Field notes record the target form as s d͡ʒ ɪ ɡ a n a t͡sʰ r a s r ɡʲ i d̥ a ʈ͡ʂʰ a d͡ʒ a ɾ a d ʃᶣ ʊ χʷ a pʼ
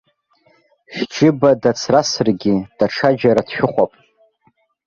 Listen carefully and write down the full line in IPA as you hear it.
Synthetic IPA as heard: ʃ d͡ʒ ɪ b a d a t͡sʰ r a s r ɡʲ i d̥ a ʈ͡ʂʰ a d͡ʒ a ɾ a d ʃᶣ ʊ χʷ a pʼ